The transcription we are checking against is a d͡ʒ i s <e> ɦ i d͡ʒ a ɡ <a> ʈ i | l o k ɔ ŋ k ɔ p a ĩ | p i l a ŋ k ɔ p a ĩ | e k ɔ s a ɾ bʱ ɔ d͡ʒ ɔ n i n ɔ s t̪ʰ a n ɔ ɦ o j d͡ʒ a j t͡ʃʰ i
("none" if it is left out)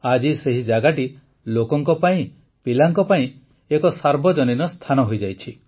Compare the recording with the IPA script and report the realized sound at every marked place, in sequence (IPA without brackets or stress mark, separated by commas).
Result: e, a